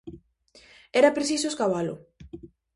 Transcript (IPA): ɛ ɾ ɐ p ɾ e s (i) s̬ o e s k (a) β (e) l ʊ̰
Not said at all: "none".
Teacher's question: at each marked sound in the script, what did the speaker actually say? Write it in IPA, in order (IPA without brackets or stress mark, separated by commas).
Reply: i, a, a